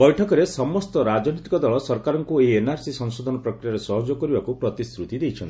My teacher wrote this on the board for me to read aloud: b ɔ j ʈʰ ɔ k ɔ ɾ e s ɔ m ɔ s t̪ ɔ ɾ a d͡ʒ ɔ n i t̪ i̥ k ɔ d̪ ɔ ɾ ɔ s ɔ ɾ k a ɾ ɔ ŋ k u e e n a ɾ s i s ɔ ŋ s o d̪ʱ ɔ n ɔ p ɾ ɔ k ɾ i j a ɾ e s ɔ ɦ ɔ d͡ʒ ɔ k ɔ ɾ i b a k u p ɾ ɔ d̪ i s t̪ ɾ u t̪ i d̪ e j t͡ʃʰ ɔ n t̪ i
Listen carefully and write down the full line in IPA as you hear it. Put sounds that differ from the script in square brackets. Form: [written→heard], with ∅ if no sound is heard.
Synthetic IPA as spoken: b ɔ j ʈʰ ɔ k ɔ ɾ e s ɔ m ɔ s t̪ ɔ ɾ a d͡ʒ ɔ n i t̪ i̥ k ɔ d̪ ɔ [ɾ→ɭ] ɔ s ɔ ɾ k a ɾ ɔ ŋ k u e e n a ɾ s i s ɔ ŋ s o d̪ʱ ɔ n ɔ p ɾ ɔ k ɾ i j a ɾ e s ɔ ɦ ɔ d͡ʒ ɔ k ɔ ɾ i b a k u p ɾ ɔ [d̪→t̪] i s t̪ ɾ u t̪ i d̪ e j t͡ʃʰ ɔ n t̪ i